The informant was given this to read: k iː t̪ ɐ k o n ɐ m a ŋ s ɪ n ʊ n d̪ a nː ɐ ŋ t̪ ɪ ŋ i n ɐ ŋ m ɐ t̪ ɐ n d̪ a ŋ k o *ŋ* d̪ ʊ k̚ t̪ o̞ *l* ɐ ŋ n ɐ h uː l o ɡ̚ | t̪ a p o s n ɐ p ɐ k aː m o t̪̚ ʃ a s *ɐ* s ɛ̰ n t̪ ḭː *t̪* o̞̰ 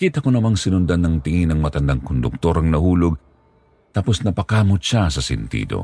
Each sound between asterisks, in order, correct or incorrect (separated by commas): incorrect, incorrect, correct, incorrect